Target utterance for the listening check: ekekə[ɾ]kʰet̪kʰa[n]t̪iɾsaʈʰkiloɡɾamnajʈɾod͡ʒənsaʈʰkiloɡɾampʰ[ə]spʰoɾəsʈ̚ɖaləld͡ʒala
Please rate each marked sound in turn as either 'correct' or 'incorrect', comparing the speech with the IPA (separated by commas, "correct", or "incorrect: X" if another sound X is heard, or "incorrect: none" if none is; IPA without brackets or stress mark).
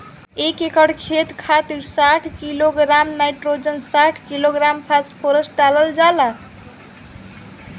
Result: incorrect: ɽ, incorrect: none, incorrect: a